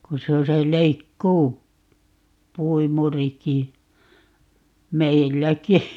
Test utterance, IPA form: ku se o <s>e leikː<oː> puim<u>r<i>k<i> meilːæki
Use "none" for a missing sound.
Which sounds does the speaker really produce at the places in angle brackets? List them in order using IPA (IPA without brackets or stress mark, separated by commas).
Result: s, uː, u, i, i